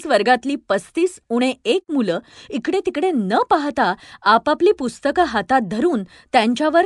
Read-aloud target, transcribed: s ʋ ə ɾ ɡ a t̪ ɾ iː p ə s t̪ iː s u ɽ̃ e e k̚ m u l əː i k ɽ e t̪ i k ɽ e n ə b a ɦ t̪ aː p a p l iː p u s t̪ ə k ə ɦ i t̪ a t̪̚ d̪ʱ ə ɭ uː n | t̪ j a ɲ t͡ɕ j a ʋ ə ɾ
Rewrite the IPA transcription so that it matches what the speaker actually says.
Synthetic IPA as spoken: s ʋ ə ɾ ɡ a t̪ l iː p ə s t̪ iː s u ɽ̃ e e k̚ m u l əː i k ɽ e t̪ i k ɽ e n ə p a ɦ t̪ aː p a p l iː p u s t̪ ə k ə ɦ a t̪ a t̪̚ d̪ʱ ə ɾ uː n | t̪ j a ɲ t͡ɕ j a ʋ ə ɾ